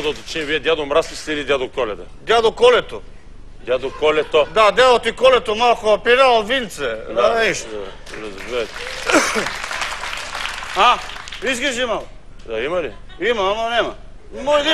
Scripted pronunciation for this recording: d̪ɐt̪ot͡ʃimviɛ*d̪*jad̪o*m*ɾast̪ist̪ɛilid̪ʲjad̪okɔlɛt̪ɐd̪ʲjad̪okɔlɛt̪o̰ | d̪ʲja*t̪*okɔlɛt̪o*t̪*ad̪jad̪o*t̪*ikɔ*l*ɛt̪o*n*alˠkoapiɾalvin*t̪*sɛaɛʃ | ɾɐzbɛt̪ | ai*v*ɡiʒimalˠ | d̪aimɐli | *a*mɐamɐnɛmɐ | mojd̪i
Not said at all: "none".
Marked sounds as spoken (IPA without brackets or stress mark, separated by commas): d̪, m, d̪, d̪, t̪, l, m, t̪, z, i